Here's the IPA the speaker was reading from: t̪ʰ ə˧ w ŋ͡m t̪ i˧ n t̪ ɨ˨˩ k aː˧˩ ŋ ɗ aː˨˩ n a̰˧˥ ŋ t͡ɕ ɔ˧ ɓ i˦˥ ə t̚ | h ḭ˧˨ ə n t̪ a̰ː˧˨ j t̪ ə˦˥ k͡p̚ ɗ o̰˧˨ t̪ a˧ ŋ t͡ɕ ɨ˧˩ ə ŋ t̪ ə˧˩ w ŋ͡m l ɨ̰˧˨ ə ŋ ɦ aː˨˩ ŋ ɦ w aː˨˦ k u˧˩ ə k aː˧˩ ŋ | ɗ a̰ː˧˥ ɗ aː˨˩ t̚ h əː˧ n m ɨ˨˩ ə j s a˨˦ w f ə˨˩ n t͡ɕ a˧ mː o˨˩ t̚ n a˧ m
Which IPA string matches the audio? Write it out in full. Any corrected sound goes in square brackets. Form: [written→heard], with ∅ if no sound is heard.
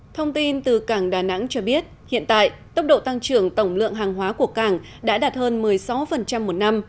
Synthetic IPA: t̪ʰ ə˧ w ŋ͡m t̪ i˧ n t̪ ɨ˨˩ k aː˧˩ ŋ ɗ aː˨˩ n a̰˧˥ ŋ t͡ɕ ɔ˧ ɓ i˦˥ ə t̚ | h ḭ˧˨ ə n t̪ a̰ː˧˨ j t̪ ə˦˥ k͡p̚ ɗ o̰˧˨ t̪ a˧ ŋ t͡ɕ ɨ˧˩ ə ŋ t̪ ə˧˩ w ŋ͡m l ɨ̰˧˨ ə ŋ ɦ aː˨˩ ŋ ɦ w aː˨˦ k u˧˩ ə k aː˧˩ ŋ | ɗ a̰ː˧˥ ɗ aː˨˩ t̚ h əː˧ n m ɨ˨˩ ə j s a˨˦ w f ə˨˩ n t͡ɕ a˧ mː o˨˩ t̚ n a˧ m